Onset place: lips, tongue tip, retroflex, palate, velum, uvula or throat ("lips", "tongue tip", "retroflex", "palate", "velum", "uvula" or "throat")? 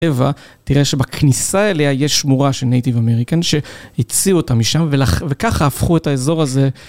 lips